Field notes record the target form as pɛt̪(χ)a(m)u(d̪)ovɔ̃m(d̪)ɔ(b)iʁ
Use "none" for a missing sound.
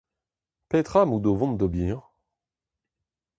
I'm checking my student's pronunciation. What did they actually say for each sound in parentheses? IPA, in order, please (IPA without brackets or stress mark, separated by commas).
χ, m, d̪, d̪, b